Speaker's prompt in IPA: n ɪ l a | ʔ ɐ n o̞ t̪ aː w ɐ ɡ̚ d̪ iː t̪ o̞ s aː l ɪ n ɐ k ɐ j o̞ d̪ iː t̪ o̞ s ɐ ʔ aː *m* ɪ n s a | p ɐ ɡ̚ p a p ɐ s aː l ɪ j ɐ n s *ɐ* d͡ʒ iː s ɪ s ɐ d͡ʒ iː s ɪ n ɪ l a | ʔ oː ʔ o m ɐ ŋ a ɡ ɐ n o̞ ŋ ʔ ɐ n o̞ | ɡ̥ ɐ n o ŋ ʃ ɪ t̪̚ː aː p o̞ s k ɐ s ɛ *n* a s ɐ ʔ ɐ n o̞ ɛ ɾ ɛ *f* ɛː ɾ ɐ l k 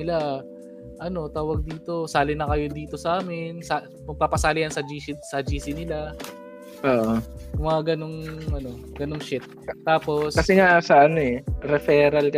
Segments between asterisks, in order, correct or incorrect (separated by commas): correct, correct, incorrect, correct